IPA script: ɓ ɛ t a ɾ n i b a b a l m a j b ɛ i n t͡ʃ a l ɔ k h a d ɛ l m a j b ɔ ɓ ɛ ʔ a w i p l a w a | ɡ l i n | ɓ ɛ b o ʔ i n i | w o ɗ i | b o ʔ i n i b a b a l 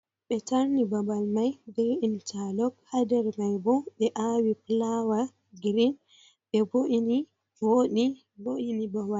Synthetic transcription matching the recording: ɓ ɛ t a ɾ n i b a b a l m a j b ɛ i n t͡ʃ a l ɔ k h a d ɛ ɾ m a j b ɔ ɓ ɛ ʔ a w i p l a w a | ɡ ɾ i n | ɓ ɛ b o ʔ i n i | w o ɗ i | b o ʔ i n i b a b a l

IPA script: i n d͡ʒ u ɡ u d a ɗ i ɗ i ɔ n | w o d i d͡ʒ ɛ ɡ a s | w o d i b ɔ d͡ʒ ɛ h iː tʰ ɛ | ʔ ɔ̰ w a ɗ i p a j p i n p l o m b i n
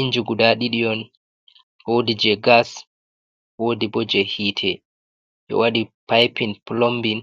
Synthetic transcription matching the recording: i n d͡ʒ u ɡ u d a ɗ i ɗ i ɔ n | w o d i d͡ʒ ɛ ɡ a s | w o d i b ɔ d͡ʒ ɛ h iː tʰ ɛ | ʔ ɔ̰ w a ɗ i p a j p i n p l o m b i n

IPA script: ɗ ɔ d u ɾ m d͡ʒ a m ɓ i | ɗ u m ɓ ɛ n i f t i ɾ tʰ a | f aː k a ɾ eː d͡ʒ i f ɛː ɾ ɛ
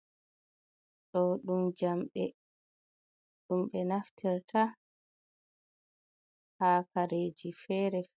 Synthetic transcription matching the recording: ɗ ɔ ɗ u m d͡ʒ a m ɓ ɛ | ɗ u m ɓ ɛ n a f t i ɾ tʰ a | h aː k a ɾ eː d͡ʒ i f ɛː ɾ ɛ

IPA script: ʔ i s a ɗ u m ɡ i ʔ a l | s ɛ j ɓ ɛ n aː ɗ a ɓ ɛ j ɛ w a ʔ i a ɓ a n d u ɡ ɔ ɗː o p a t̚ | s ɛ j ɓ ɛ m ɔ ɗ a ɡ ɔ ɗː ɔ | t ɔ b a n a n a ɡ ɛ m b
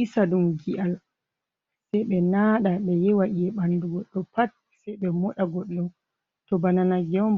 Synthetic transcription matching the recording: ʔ i s a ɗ u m ɡ i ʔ a l | s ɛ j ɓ ɛ n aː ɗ a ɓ ɛ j ɛ w a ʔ i ɛ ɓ a n d u ɡ ɔ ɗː ɔ p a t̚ | s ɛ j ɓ ɛ m ɔ ɗ a ɡ ɔ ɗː ɔ | t ɔ b a n a n a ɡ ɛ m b

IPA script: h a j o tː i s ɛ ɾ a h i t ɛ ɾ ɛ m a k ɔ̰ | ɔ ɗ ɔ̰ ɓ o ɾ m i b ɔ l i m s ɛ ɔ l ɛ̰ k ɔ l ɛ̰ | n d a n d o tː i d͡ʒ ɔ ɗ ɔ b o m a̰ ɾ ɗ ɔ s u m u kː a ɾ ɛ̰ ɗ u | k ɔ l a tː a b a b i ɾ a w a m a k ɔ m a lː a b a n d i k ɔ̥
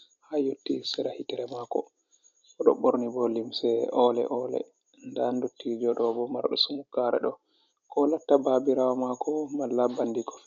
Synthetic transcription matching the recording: h a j o tː i s ɛ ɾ a h i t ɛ ɾ ɛ m a k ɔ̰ | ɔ ɗ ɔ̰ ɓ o ɾ n i b ɔ l i m s ɛ ɔ l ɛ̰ ʔ ɔ l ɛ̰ | n d a n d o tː i d͡ʒ ɔ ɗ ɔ b ɔ m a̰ ɾ ɗ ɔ s u m u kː a ɾ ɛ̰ ɗ ɔ | k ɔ l a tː a b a b i ɾ a w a m a k ɔ m a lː a b a n d i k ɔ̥

